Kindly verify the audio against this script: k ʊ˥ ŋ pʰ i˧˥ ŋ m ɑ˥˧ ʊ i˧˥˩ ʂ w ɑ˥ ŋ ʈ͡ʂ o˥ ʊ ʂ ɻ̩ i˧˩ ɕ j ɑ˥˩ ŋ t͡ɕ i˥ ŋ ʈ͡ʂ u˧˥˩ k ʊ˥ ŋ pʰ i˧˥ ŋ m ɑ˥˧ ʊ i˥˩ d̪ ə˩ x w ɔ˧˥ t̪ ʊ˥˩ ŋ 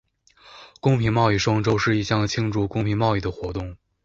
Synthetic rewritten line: k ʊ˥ ŋ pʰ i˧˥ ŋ m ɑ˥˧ ʊ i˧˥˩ ʂ w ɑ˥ ŋ ʈ͡ʂ o˥ ʊ ʂ ɻ̩ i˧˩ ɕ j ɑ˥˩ ŋ t͡ɕʰ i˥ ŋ ʈ͡ʂ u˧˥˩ k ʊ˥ ŋ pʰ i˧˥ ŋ m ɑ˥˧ ʊ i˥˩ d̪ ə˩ x w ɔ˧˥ t̪ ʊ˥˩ ŋ